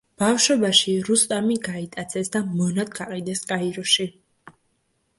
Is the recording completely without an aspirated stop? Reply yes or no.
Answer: yes